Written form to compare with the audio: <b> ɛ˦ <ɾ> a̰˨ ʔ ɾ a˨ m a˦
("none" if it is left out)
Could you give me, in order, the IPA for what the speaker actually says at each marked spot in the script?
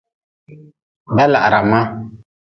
b, l

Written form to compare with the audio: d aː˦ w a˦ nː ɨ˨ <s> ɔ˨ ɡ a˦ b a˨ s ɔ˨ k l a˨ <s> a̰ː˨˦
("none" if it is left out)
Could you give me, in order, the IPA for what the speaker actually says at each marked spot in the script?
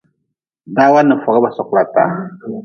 f, t

